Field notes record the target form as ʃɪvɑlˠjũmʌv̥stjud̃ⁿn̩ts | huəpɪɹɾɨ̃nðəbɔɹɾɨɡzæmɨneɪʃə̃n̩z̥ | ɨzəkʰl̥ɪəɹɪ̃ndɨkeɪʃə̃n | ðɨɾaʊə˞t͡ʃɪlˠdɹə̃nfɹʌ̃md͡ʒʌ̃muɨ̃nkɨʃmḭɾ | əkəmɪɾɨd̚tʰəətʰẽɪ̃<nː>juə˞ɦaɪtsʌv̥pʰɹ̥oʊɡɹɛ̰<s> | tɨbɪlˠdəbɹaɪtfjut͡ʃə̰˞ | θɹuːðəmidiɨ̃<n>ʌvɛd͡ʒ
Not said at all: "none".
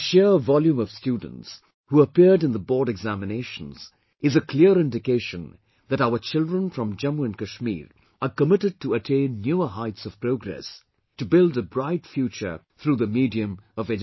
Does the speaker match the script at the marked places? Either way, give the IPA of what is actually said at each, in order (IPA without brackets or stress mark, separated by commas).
nː, s, m